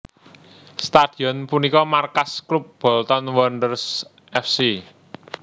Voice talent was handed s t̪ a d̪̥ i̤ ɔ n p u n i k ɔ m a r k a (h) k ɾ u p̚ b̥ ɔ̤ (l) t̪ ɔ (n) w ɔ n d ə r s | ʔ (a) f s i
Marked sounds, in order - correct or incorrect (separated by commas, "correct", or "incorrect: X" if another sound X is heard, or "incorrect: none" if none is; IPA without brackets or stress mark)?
incorrect: s, correct, correct, incorrect: ɛ